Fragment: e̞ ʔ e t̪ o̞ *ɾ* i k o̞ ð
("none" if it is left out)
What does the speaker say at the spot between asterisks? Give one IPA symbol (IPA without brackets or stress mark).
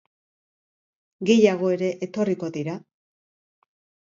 r